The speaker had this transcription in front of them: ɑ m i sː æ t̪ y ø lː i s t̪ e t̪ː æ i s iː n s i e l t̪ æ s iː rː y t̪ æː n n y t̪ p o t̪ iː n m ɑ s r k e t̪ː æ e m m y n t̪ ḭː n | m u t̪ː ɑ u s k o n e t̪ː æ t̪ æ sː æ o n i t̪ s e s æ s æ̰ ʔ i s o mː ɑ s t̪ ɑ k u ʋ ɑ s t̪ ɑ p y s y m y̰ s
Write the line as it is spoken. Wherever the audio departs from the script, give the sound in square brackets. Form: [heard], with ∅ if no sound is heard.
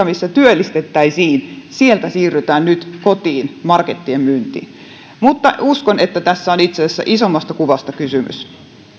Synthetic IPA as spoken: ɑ m i sː æ t̪ y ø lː i s t̪ e t̪ː æ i s iː n s i e l t̪ æ s iː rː y t̪ æː n n y t̪ [k] o t̪ iː n m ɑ [∅] r k e t̪ː [i] e m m y n t̪ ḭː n | m u t̪ː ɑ u s k o n e t̪ː æ t̪ æ sː æ o n i t̪ s e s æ [sː] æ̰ ʔ i s o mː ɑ s t̪ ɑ k u ʋ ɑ s t̪ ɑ [k] y s y m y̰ s

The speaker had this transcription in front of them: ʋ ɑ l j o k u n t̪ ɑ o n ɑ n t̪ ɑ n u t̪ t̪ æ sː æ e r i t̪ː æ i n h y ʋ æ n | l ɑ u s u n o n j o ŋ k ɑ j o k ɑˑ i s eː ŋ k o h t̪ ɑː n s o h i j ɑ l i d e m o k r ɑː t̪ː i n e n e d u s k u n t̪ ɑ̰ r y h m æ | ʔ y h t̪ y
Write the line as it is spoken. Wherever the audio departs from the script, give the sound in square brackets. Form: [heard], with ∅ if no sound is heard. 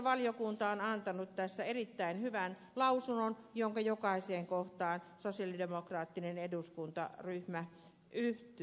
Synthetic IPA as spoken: ʋ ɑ l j o k u n t̪ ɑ o n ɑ n t̪ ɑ n u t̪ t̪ æ sː æ e r i t̪ː æ i n h y ʋ æ n | l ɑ u s u n o n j o ŋ k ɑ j o k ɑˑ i s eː ŋ k o h t̪ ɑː n s o [s] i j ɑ l i d e m o k r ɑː t̪ː i n e n e d u s k u n t̪ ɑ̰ r y h m æ | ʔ y h t̪ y

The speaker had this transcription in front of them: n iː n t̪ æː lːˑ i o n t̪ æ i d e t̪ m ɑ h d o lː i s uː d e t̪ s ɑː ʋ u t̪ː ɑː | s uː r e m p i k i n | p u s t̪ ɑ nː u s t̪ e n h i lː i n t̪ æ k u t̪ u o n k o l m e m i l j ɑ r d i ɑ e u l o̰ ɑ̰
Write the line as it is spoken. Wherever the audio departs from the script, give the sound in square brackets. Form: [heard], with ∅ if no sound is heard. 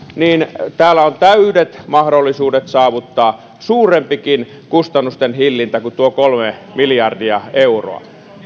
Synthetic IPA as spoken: n iː n t̪ æː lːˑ [æ] o n t̪ æ [y] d e t̪ m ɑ h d o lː i s uː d e t̪ s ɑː ʋ u t̪ː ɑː | s uː r e m p i k i n | [k] u s t̪ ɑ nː u s t̪ e n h i lː i n t̪ æ k u t̪ u o [∅] k o l m e m i l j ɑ r d i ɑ e u [r] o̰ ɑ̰

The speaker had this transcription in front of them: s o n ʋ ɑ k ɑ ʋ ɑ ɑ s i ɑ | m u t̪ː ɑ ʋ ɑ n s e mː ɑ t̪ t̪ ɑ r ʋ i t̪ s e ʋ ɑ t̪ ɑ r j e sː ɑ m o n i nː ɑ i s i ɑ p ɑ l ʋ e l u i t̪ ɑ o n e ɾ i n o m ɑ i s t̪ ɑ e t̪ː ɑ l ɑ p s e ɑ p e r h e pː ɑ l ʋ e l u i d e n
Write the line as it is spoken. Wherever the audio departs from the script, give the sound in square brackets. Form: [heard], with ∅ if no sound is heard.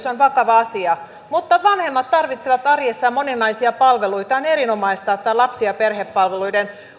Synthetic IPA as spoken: s o n ʋ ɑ k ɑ ʋ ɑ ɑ s i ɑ | m u t̪ː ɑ ʋ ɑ n [h] e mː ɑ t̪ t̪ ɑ r ʋ i t̪ s e ʋ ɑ t̪ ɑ r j e sː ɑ m o n i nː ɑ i s i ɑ p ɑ l ʋ e l u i t̪ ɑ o n e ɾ i n o m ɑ i s t̪ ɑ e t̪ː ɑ l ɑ p s [i] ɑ p e r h e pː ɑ l ʋ e l u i d e n

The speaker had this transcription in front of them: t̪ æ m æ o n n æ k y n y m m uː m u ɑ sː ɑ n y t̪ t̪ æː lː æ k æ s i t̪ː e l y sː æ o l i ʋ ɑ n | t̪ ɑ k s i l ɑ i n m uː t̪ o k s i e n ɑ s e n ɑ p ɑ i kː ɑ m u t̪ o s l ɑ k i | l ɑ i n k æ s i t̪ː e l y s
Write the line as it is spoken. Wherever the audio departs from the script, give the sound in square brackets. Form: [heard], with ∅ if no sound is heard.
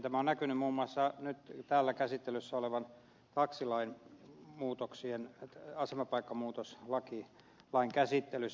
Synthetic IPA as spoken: t̪ æ m æ o n n æ k y n y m m uː m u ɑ sː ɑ n y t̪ t̪ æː lː æ k æ s i t̪ː e l y sː æ o l [e] ʋ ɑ n | t̪ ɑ k s i l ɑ i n m uː t̪ o k s i e n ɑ s e [m] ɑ p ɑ i kː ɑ m [uː] t̪ o s l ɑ k i | l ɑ i [ŋ] k æ s i t̪ː e l y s

